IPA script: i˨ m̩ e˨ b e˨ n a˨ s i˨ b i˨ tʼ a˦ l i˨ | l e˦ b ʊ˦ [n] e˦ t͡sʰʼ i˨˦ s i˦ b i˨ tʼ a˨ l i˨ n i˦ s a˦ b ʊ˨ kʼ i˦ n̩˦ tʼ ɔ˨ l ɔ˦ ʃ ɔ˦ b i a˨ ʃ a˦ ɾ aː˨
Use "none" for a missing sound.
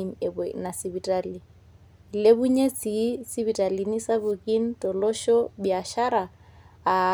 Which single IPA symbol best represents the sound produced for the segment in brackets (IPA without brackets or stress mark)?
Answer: ɲ